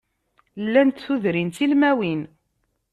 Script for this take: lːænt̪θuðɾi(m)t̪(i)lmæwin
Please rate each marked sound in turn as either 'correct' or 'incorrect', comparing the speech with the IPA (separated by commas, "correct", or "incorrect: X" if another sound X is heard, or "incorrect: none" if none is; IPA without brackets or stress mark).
incorrect: n, correct